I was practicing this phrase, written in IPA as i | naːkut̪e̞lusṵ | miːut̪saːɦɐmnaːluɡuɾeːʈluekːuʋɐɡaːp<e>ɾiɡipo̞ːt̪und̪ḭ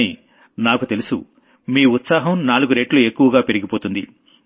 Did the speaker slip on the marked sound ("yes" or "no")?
no